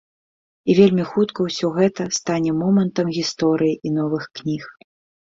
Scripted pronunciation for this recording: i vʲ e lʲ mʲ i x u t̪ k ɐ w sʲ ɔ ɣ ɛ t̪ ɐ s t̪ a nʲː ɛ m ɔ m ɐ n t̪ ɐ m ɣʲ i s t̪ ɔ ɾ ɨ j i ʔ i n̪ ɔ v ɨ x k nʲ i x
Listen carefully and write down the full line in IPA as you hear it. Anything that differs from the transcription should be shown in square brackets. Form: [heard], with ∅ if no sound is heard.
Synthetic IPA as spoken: i vʲ e lʲ mʲ i x u t̪ k ɐ w sʲ ɔ ɣ ɛ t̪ ɐ s t̪ a [nʲ] ɛ m ɔ m ɐ n t̪ ɐ m ɣʲ i s t̪ ɔ ɾ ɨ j i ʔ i n̪ ɔ v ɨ x k nʲ i x

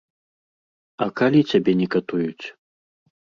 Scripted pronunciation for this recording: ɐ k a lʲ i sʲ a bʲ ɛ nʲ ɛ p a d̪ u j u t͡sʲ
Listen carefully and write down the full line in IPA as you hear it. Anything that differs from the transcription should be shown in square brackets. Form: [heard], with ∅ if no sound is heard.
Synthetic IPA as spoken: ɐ k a lʲ i [t͡sʲ] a bʲ ɛ nʲ ɛ [k] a [t̪] u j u t͡sʲ

